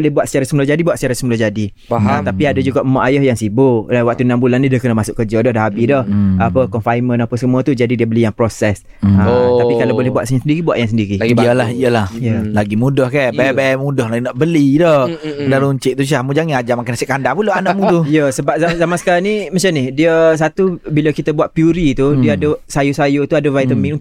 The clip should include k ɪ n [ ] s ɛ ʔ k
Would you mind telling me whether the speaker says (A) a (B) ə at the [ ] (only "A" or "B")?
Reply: A